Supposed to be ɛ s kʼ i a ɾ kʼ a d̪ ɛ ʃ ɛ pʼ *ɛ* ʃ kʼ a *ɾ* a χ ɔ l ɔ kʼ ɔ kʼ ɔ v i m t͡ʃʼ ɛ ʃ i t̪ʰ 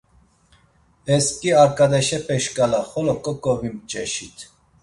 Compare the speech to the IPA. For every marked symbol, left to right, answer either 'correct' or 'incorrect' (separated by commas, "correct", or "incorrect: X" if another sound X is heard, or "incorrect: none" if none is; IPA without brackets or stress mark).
correct, incorrect: l